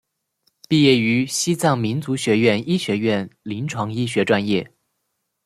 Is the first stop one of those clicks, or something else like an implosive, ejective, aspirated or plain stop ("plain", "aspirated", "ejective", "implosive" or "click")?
plain